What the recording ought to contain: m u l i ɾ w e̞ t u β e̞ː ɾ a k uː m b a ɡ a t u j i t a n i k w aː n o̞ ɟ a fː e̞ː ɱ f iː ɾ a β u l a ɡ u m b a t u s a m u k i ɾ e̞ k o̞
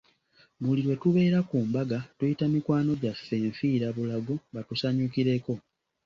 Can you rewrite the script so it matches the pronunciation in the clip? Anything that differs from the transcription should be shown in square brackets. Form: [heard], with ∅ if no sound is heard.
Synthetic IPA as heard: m u l i ɾ w e̞ t u β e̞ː ɾ a k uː m b a ɡ a t u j i t a [m] i k w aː n o̞ ɟ a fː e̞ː ɱ f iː ɾ a β u l a ɡ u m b a t u s a [ɲ] u k i ɾ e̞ k o̞